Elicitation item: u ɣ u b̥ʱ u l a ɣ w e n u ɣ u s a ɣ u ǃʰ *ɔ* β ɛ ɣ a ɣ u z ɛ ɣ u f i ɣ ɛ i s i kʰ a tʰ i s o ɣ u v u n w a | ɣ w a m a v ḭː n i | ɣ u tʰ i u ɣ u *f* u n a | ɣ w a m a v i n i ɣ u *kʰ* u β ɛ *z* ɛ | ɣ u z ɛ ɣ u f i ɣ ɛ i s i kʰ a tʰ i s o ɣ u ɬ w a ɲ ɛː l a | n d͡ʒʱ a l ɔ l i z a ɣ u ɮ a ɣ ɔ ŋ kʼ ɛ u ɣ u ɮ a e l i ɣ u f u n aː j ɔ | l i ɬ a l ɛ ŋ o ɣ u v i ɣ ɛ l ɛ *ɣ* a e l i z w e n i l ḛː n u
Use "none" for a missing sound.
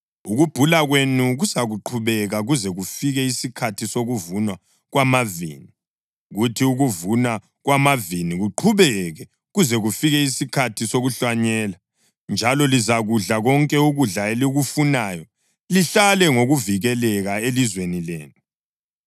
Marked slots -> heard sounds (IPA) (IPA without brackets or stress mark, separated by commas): u, v, ǃʰ, ɣ, ɣ